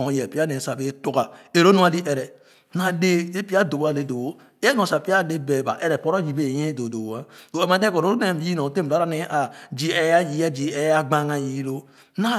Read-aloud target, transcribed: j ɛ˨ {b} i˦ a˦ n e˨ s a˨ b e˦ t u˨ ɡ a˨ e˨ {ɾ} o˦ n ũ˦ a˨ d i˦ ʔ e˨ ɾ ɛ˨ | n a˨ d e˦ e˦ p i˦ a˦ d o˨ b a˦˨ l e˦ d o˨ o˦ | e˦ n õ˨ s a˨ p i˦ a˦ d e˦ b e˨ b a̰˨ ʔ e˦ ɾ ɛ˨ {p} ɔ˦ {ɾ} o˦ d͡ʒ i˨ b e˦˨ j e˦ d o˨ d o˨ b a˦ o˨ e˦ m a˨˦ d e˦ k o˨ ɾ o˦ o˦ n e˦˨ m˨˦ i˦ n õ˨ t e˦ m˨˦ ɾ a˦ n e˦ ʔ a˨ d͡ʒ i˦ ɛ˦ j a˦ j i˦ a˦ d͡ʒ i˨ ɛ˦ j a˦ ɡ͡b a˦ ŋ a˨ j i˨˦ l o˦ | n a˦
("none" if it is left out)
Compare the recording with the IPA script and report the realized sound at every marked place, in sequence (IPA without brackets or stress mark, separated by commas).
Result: p, ɾ, p, ɾ